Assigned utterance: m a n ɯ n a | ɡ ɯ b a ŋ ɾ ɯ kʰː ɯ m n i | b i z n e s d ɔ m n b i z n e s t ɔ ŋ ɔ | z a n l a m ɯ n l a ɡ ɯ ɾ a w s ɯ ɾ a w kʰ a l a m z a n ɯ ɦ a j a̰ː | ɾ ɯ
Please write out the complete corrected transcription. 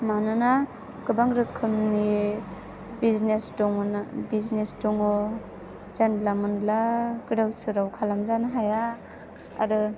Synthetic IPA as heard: m a n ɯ n a | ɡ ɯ b a ŋ ɾ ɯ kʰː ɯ m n i | b i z n e s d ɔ ŋ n b i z n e s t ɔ ŋ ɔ | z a n l a m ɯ n l a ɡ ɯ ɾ a w s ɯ ɾ a w kʰ a l a m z a n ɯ ɦ a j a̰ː | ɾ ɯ